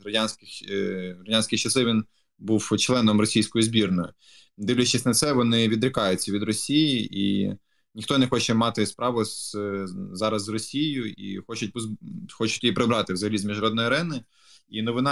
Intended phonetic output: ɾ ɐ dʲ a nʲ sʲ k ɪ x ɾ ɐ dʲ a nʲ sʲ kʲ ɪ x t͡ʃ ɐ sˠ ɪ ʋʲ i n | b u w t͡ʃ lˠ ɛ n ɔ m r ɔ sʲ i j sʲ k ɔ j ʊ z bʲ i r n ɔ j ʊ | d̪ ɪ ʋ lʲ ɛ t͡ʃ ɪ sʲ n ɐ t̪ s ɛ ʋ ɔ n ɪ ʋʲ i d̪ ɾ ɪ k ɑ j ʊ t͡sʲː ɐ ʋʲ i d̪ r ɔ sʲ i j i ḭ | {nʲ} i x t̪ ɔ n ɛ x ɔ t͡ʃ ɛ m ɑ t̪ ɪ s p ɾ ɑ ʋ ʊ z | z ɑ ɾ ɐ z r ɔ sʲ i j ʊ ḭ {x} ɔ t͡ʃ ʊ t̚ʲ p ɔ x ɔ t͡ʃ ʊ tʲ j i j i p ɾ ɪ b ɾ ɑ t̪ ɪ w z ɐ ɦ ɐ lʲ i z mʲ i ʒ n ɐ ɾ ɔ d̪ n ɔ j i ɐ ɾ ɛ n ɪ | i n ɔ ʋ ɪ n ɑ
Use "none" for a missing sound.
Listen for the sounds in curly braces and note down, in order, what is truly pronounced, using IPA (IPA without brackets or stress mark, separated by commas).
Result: nʲ, x